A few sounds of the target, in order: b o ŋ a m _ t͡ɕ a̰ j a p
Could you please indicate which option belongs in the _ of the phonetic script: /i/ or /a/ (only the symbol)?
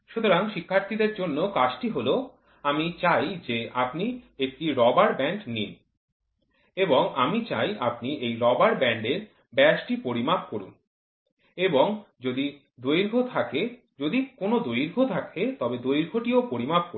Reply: i